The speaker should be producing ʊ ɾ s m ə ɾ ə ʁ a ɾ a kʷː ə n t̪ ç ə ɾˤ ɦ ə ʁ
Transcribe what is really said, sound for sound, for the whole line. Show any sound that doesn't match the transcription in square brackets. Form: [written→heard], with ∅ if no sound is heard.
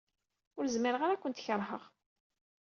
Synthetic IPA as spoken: ʊ ɾ [s→z] m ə ɾ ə ʁ a ɾ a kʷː ə n t̪ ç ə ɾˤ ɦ ə ʁ